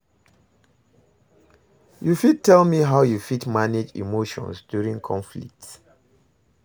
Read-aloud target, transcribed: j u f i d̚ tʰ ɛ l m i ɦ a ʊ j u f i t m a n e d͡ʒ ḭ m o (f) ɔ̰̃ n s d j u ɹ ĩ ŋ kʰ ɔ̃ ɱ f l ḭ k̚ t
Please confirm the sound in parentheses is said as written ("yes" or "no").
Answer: no